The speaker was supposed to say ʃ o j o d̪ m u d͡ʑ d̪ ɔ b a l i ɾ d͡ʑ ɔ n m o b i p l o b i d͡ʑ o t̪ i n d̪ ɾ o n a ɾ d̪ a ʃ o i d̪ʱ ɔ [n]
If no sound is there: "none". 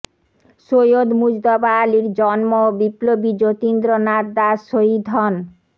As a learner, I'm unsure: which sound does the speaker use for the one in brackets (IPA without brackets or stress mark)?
n